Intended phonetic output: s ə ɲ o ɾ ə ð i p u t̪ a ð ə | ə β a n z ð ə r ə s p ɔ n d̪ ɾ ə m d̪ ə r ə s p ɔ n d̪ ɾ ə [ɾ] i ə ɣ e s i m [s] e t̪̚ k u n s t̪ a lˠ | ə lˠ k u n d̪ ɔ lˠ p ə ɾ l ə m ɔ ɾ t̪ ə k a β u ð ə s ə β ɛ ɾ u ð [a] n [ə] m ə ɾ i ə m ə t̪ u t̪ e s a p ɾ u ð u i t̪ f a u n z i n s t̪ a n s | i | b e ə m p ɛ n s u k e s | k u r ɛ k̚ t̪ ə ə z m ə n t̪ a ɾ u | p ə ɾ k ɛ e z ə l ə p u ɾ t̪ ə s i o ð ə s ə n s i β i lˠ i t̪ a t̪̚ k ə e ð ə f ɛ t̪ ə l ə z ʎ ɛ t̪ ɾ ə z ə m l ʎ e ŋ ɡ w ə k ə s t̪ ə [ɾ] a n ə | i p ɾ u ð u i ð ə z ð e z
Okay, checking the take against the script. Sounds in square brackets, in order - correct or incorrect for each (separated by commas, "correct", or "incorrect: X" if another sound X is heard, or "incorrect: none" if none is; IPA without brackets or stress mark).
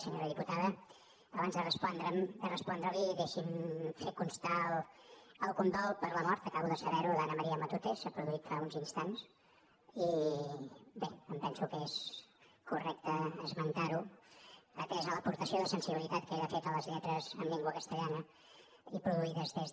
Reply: incorrect: l, incorrect: f, correct, correct, incorrect: ʎ